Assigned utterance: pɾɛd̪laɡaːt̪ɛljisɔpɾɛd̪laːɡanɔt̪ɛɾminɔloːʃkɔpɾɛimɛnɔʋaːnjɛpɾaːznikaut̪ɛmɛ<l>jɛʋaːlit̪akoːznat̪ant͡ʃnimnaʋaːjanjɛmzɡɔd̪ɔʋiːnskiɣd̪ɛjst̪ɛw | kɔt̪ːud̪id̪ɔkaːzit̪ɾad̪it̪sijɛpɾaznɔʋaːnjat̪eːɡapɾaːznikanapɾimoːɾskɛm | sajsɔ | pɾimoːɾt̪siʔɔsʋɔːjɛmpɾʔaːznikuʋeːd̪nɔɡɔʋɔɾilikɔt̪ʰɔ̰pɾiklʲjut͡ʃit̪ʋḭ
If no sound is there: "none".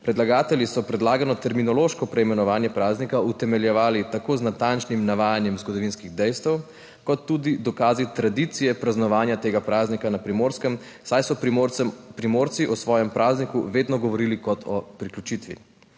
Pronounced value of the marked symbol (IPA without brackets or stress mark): l